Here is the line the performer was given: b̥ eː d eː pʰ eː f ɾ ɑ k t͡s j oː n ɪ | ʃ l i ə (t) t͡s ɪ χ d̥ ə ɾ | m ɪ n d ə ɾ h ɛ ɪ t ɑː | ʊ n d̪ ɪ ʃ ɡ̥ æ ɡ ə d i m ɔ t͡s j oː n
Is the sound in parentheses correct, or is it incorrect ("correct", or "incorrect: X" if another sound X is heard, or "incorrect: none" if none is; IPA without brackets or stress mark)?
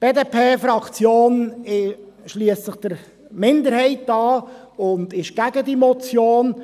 incorrect: s